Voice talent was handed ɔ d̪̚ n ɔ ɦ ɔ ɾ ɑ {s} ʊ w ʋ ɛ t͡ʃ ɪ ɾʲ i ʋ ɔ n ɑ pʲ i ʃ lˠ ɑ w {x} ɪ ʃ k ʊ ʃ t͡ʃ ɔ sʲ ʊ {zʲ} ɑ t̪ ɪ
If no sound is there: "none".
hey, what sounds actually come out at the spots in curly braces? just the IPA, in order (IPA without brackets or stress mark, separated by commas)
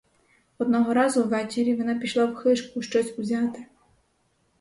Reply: z, x, zʲ